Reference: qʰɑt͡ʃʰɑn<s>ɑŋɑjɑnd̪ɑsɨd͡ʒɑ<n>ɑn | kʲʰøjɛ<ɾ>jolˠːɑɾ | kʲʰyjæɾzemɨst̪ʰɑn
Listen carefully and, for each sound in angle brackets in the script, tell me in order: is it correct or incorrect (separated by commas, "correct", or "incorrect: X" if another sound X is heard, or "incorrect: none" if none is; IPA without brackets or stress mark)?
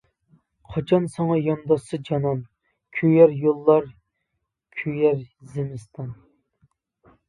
correct, correct, correct